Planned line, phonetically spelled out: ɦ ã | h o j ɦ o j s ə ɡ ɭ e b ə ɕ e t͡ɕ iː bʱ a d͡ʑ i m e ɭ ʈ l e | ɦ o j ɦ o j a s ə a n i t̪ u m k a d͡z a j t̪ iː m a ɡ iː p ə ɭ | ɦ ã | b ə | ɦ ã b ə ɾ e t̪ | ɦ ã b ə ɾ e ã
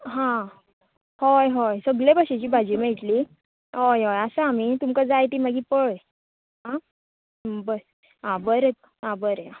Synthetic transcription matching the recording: ɦ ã | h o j ɦ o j s ə ɡ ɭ e b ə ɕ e t͡ɕ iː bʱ a d͡ʑ i m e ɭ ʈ l i | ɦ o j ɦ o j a s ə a m i t̪ u m k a d͡z a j t̪ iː m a ɡ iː p ə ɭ | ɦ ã | b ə | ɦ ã b ə ɾ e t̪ | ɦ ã b ə ɾ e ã